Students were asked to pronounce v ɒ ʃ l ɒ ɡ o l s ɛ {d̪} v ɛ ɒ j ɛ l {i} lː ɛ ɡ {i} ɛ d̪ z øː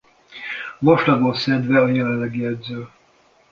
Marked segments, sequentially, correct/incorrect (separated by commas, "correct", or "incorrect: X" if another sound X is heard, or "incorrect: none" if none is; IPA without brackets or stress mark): correct, incorrect: ɛ, correct